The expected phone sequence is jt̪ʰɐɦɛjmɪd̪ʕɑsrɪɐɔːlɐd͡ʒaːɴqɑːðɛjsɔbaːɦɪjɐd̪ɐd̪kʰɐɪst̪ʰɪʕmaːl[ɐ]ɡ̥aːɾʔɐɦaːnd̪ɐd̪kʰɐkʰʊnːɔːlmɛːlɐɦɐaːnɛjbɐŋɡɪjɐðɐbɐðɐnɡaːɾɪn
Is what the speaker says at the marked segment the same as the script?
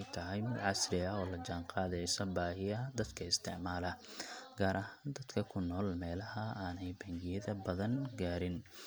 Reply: yes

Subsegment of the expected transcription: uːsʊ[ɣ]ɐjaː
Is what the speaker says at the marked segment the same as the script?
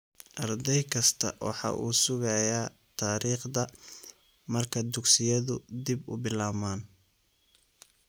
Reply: yes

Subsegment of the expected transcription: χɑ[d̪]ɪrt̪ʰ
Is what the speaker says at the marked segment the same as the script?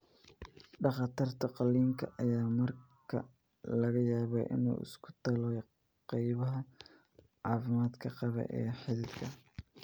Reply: no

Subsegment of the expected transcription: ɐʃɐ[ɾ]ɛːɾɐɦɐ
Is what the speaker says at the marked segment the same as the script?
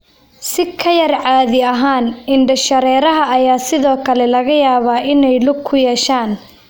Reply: yes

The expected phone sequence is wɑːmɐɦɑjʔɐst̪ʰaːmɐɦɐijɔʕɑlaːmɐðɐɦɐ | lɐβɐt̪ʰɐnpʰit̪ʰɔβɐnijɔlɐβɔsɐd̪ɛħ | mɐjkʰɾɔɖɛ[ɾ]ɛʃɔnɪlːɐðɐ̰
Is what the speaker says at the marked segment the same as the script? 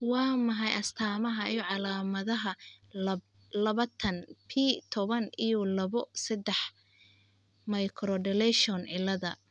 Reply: no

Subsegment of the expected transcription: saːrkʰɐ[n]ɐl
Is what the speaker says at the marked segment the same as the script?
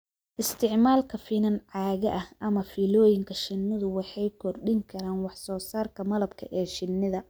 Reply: no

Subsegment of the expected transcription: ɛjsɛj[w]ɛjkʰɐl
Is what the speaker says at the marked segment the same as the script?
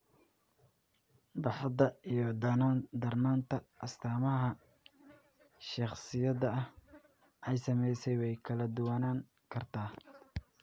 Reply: yes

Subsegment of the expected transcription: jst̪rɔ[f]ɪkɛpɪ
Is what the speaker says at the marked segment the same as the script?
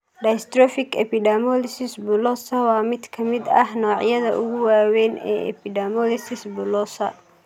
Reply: yes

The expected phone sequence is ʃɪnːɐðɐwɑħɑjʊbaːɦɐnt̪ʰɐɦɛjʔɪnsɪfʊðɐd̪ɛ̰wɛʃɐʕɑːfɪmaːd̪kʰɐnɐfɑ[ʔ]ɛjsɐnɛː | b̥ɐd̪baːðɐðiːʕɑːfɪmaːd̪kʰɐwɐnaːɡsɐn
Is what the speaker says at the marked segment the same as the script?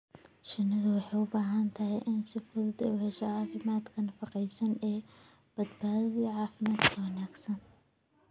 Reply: no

